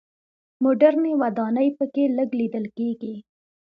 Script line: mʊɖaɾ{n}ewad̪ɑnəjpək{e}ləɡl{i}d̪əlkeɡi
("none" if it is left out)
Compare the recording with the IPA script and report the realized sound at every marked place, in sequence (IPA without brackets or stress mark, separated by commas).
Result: n, e, i